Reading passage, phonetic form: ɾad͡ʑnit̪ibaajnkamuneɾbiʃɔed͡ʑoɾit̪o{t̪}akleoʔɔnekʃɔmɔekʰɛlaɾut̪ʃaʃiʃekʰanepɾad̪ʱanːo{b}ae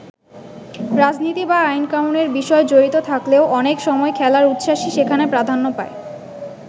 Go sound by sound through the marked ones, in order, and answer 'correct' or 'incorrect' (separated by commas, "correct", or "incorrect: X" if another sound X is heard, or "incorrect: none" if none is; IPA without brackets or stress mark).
incorrect: t̪ʰ, incorrect: p